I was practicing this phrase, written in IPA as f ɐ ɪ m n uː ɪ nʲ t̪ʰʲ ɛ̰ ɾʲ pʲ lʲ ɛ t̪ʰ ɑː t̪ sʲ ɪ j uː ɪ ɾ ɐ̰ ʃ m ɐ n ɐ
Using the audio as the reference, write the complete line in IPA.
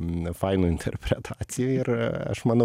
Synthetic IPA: f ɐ ɪ n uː ɪ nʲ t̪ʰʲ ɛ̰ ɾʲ pʲ ɾʲ ɛ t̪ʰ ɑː t̪ sʲ ɪ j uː ɪ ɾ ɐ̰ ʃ m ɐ n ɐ

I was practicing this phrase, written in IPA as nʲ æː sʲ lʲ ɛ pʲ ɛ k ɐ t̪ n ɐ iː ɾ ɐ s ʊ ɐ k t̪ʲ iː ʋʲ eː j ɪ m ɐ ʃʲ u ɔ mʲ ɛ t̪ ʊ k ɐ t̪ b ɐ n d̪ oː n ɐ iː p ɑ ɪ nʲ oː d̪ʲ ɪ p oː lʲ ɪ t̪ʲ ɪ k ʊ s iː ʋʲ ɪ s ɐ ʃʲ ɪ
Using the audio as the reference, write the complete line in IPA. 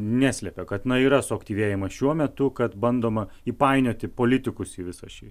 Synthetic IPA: nʲ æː sʲ lʲ ɛ pʲ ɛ k ɐ t̪ n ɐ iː ɾ ɐ s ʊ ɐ k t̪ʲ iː ʋʲ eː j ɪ m ɐ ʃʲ u ɔ mʲ ɛ t̪ ʊ k ɐ t̪ b ɐ n d̪ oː m ɐ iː p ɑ ɪ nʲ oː t̪ʲ ɪ p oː lʲ ɪ t̪ʲ ɪ k ʊ s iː ʋʲ ɪ s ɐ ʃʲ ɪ

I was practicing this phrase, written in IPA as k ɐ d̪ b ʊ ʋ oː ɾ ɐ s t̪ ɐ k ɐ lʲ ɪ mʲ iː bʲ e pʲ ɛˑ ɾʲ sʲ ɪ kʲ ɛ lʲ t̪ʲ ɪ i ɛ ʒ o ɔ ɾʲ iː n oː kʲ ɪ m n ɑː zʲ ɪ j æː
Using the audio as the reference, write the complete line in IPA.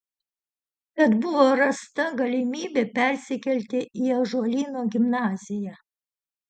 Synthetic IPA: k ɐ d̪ b ʊ ʋ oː ɾ ɐ s t̪ ɐ ɡ ɐ lʲ ɪ mʲ iː bʲ e pʲ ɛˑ ɾʲ sʲ ɪ kʲ ɛ lʲ t̪ʲ ɪ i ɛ ʒ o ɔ lʲ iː n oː ɡʲ ɪ m n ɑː zʲ ɪ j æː

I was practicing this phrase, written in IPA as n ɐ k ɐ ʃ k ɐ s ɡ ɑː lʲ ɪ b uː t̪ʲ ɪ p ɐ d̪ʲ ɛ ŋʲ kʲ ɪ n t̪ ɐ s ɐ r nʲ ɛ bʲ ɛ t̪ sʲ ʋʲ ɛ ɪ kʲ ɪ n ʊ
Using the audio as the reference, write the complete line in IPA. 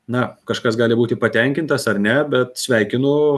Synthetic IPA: n ɐ k ɐ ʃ k ɐ s ɡ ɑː lʲ ɪ b uː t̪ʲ ɪ p ɐ t̪ʲ ɛ ŋʲ kʲ ɪ n t̪ ɐ s ɐ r nʲ ɛ bʲ ɛ t̪ sʲ ʋʲ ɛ ɪ kʲ ɪ n ʊ

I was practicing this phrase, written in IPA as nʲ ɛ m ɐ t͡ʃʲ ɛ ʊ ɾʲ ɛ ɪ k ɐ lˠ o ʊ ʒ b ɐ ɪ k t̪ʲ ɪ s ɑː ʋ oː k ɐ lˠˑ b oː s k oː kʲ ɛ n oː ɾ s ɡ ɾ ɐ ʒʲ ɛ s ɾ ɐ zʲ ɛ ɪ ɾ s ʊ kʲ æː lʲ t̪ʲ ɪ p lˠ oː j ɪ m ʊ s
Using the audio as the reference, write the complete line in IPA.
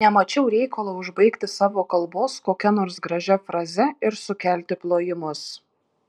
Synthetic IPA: nʲ ɛ m ɐ t͡ʃʲ ɛ ʊ ɾʲ ɛ ɪ k ɐ lˠ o ʊ ʒ b ɐ ɪ k t̪ʲ ɪ s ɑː ʋ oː k ɐ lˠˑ b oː s k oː kʲ ɛ n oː ɾ s ɡ ɾ ɐ ʒʲ ɛ f ɾ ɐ zʲ ɛ ɪ ɾ s ʊ kʲ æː lʲ t̪ʲ ɪ p lˠ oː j ɪ m ʊ s

